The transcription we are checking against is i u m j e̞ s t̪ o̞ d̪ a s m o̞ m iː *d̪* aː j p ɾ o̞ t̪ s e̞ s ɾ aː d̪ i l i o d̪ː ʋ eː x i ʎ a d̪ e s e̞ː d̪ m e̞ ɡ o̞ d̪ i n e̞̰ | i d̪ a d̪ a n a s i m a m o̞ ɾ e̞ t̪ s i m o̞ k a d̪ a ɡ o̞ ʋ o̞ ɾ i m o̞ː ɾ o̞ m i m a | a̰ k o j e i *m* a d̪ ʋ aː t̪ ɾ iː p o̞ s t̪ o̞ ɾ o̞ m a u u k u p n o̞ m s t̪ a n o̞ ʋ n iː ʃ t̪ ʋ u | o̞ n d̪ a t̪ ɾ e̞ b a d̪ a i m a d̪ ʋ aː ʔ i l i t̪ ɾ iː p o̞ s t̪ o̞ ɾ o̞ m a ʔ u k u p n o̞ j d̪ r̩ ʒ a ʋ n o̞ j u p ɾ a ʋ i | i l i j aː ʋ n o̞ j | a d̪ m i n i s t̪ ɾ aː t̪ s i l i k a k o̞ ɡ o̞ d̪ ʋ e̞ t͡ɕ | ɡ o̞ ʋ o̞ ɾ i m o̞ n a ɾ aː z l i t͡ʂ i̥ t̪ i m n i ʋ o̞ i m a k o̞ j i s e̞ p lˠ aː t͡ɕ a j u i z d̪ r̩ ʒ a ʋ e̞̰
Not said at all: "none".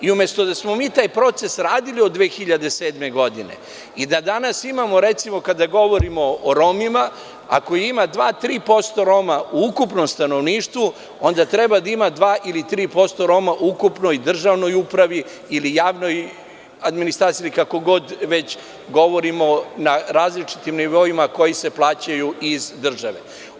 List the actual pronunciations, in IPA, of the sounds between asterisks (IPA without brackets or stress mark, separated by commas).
t̪, m